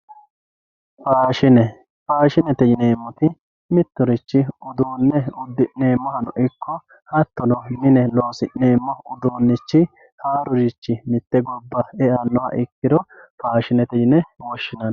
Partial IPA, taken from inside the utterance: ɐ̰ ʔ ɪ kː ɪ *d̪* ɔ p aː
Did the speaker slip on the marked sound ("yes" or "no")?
no